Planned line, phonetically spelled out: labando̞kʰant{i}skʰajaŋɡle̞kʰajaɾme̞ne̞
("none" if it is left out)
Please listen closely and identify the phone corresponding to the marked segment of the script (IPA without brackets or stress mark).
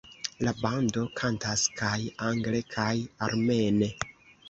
a